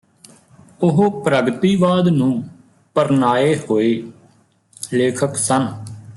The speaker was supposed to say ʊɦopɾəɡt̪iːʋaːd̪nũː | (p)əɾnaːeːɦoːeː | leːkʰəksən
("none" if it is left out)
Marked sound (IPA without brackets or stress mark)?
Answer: p